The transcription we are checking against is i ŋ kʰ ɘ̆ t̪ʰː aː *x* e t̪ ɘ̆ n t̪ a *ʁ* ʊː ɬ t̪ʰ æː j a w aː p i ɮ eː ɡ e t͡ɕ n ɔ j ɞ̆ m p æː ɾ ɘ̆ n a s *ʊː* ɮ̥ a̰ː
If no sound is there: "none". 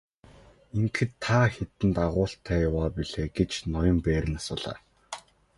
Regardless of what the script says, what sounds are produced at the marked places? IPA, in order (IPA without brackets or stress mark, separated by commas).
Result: x, ʁ, ʊː